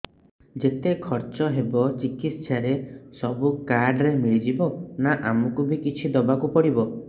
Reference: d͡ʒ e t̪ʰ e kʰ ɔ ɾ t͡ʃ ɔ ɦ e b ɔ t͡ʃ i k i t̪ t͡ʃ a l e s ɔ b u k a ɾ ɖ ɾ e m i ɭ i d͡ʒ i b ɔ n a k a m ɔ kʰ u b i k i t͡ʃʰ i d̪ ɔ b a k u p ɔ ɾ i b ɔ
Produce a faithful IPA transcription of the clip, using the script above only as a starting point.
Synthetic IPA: d͡ʒ e t̪ e kʰ ɔ ɾ t͡ʃ ɔ ɦ e b ɔ t͡ʃ i k i t̪ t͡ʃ a ɾ e s ɔ b u k a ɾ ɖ ɾ e m i ɭ i d͡ʒ i b ɔ n a ʔ a m ɔ k u b i k i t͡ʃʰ i d̪ ɔ b a k u p ɔ ɽ i b ɔ